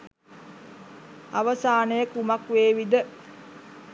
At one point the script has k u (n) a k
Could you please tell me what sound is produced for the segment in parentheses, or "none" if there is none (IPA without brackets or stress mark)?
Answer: m